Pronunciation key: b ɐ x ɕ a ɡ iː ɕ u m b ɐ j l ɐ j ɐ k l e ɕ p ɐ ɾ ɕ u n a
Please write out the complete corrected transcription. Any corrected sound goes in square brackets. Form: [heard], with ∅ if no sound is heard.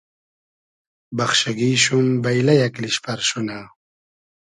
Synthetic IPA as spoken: b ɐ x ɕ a ɡ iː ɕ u m b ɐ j l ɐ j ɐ k l [i] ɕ p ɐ ɾ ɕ u n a